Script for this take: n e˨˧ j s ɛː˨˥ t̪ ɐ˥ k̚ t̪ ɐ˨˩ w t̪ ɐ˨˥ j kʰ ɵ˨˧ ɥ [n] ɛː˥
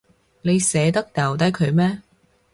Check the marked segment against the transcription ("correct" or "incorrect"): incorrect